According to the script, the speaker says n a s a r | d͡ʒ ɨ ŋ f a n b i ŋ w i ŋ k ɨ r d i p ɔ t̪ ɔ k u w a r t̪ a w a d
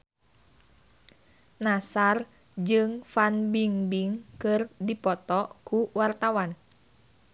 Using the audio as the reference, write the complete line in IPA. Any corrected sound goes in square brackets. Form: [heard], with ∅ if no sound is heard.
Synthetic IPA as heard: n a s a r | d͡ʒ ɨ ŋ f a n b i ŋ [b] i ŋ k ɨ r d i p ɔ t̪ ɔ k u w a r t̪ a w a [n]